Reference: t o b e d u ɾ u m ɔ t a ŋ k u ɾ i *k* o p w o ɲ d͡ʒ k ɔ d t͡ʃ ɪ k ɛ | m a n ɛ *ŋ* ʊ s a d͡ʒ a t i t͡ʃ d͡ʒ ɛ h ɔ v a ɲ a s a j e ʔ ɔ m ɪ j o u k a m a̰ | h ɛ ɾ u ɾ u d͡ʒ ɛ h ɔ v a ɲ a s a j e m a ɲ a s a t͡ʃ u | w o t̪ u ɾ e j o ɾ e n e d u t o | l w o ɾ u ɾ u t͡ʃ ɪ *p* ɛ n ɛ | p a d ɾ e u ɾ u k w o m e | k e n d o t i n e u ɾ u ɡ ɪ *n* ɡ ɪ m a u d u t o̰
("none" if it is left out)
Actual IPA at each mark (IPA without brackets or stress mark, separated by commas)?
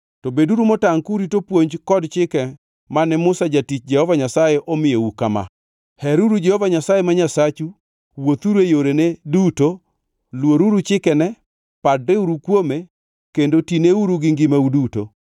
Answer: t, m, k, ŋ